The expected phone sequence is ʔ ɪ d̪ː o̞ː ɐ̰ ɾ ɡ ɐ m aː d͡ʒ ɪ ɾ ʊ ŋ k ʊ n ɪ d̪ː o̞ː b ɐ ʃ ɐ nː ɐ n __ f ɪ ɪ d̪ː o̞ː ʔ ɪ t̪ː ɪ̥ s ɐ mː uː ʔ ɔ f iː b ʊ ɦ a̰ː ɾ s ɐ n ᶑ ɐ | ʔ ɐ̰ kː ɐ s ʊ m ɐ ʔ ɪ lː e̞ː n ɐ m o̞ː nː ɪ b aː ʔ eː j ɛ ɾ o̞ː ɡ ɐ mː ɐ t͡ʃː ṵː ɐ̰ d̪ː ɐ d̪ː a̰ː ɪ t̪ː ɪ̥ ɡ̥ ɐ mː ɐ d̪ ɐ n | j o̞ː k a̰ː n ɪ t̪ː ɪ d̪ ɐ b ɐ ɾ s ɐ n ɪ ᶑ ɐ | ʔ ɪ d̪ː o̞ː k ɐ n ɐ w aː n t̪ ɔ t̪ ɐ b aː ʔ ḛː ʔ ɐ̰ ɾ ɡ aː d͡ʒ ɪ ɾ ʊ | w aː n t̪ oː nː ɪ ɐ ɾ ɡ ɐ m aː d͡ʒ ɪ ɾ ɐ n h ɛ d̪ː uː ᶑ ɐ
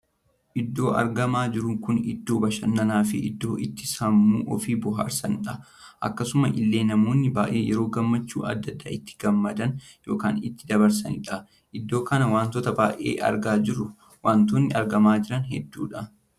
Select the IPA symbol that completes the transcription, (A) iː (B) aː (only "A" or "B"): B